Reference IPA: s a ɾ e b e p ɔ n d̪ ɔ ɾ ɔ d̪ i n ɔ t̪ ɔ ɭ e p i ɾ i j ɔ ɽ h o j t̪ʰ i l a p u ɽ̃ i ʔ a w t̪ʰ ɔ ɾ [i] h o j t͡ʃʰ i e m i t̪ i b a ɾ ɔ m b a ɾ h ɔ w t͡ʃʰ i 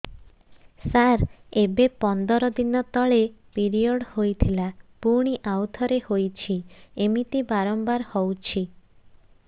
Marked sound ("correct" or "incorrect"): incorrect